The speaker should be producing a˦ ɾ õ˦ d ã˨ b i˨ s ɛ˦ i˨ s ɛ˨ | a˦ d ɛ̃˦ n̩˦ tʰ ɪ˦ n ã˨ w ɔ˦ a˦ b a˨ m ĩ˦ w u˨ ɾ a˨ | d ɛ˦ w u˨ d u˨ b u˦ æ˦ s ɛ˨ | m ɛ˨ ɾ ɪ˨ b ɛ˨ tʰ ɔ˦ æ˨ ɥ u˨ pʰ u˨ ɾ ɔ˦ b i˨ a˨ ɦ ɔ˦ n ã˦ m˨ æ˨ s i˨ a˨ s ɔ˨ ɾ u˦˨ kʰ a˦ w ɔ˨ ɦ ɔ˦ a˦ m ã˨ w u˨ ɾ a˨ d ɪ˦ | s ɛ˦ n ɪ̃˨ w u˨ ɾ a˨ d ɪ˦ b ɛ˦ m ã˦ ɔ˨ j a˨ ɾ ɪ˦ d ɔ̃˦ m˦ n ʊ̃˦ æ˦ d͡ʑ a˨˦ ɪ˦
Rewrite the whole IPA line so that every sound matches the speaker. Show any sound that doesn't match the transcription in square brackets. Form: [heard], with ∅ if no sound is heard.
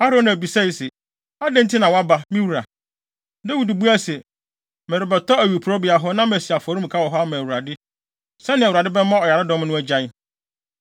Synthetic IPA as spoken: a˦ ɾ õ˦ [n] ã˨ b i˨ s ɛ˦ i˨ s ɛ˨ | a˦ d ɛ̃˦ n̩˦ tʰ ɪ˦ n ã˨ w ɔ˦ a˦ b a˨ m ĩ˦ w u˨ ɾ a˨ | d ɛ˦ w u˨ d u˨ b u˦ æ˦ s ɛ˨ | m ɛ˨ ɾ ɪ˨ b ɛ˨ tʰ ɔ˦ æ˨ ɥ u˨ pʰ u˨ ɾ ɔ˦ b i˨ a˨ ɦ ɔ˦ n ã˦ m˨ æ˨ s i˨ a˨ [f] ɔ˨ ɾ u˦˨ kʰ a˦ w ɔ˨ ɦ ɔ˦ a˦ m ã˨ w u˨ ɾ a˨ d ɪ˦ | s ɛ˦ n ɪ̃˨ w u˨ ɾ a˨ d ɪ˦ b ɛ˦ m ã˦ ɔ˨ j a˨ ɾ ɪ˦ d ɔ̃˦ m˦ n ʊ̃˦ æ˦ d͡ʑ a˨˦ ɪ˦

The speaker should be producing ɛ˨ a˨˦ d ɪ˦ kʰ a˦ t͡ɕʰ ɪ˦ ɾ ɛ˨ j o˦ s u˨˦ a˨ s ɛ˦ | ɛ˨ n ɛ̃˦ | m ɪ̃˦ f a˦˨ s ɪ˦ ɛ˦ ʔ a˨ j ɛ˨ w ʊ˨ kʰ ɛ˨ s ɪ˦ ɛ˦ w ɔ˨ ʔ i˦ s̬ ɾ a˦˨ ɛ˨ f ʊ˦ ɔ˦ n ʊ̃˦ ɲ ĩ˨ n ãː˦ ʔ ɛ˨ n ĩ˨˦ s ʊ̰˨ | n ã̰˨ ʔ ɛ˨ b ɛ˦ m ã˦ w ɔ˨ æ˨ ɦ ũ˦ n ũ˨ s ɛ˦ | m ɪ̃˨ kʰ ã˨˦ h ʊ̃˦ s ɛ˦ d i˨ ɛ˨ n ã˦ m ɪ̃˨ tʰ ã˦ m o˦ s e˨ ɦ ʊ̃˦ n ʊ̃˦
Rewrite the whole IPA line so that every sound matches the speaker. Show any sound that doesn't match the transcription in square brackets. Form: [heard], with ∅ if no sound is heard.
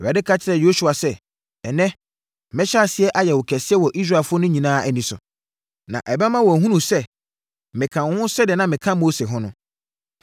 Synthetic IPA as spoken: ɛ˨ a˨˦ d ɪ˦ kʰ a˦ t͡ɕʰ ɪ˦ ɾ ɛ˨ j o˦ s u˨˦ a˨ s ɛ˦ | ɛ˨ n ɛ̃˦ | m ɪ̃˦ [ɕ] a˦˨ s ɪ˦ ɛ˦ ʔ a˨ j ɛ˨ w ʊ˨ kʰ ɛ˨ s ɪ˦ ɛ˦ w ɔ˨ ʔ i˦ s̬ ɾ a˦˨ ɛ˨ f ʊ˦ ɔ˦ n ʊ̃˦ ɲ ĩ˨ n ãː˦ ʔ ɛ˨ n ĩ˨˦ s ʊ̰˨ | n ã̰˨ ʔ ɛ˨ b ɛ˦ m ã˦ w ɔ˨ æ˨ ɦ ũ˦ n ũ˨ s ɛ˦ | m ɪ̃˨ kʰ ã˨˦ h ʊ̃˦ s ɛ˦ d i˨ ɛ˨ n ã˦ m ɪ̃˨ [kʰ] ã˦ m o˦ s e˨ ɦ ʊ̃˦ n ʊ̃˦

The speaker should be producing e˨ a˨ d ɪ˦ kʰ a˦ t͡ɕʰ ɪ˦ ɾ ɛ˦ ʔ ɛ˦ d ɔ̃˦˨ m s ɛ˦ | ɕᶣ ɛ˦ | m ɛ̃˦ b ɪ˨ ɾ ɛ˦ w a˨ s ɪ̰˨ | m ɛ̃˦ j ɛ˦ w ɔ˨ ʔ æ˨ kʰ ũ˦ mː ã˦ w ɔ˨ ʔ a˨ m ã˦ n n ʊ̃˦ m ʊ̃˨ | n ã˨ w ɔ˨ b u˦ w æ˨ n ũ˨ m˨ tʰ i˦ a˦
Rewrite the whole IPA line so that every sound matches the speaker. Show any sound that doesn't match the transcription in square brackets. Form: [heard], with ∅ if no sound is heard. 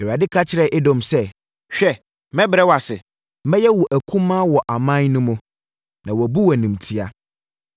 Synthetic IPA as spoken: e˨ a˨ d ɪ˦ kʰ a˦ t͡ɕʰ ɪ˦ ɾ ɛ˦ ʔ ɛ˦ d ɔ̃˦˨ m s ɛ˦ | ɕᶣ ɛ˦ | m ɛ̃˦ b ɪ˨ ɾ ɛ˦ w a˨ s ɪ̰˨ | m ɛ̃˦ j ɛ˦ w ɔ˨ ʔ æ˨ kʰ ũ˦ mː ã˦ w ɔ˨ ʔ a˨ m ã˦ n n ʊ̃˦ m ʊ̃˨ | n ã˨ w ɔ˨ b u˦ w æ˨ n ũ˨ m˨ tʰ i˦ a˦

